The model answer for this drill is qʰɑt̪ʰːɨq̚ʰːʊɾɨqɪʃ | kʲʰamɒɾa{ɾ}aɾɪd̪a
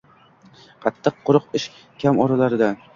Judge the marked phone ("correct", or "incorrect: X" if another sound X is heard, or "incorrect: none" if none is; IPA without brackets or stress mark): incorrect: l